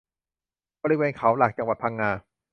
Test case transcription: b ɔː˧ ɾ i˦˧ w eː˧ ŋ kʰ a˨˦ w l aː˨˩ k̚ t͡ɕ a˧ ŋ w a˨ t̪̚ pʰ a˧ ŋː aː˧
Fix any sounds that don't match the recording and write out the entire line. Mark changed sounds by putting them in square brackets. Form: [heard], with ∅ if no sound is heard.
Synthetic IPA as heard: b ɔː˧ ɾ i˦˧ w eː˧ [n] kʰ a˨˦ w l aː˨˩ k̚ t͡ɕ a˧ ŋ w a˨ t̪̚ pʰ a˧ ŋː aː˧